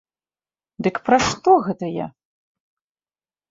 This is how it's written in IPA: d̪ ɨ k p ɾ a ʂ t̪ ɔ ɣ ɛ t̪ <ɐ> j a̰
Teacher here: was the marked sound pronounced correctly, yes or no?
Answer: yes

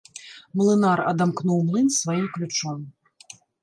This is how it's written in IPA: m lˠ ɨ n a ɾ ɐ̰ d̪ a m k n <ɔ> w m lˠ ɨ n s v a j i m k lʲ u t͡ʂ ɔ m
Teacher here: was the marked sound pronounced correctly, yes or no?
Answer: no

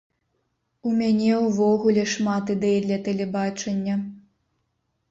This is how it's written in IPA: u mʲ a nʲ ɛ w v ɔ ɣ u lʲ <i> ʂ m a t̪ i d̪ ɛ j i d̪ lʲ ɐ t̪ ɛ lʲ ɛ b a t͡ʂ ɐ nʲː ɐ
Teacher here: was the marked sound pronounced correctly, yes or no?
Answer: no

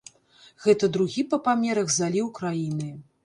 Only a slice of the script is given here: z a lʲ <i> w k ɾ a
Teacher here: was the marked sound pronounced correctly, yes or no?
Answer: yes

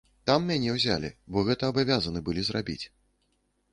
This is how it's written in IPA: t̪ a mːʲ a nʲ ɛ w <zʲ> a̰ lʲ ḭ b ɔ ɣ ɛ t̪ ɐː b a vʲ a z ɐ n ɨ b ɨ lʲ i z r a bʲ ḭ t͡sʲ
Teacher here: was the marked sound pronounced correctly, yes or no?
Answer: yes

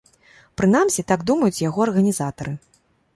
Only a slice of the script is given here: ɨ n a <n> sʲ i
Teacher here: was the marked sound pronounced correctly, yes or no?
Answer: no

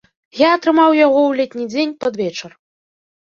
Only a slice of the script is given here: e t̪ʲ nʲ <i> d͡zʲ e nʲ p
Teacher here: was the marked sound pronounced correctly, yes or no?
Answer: yes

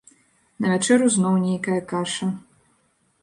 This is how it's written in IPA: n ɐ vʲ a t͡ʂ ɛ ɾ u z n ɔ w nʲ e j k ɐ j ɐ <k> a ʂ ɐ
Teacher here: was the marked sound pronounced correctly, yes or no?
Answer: yes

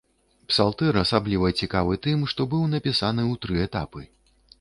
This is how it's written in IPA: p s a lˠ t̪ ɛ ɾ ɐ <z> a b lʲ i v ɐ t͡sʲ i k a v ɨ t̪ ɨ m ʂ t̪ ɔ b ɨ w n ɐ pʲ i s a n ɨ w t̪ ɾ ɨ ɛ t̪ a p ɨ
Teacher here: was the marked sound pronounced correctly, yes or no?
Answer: no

